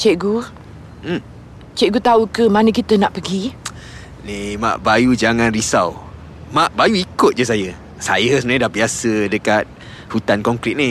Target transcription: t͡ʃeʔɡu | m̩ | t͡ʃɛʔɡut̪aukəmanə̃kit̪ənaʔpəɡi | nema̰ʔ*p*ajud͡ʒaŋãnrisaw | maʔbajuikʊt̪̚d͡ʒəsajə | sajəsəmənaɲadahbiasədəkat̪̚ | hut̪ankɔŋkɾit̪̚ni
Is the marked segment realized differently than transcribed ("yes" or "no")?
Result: yes